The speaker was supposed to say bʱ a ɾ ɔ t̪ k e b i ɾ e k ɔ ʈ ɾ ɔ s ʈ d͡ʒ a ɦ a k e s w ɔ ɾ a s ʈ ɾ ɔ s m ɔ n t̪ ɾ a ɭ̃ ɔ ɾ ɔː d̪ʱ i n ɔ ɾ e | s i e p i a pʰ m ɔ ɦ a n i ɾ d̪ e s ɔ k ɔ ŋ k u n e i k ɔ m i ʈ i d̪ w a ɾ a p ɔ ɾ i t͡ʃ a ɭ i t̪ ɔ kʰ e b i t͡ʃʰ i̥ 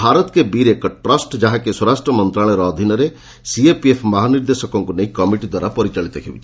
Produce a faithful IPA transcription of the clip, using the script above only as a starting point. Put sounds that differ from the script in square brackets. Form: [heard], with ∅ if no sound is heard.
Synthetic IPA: bʱ a ɾ ɔ t̪ k e b i ɾ e k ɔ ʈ ɾ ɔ s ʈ d͡ʒ a ɦ a k e s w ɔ ɾ a s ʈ ɾ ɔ [∅] m ɔ n t̪ ɾ a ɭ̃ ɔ ɾ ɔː d̪ʱ i n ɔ ɾ e | s i e p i [e] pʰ m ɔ ɦ a n i ɾ d̪ e s ɔ k ɔ ŋ k u n e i k ɔ m i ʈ i d̪ w a ɾ a p ɔ ɾ i t͡ʃ a ɭ i t̪ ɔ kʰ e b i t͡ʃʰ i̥